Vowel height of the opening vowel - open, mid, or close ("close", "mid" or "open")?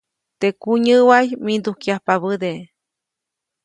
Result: mid